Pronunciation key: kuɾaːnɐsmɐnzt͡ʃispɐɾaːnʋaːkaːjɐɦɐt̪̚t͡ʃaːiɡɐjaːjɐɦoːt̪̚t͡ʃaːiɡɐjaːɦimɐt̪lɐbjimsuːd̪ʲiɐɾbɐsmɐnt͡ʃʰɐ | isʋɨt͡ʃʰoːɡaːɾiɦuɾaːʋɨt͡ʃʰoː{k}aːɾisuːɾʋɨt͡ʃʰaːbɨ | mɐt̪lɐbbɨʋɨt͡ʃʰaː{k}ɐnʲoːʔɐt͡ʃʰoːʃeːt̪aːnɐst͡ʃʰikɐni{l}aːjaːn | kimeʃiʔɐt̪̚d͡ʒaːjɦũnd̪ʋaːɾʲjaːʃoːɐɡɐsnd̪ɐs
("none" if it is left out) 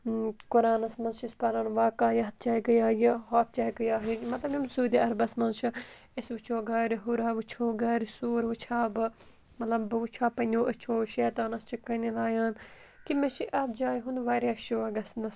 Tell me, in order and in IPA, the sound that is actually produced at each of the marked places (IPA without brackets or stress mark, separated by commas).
ɡ, p, l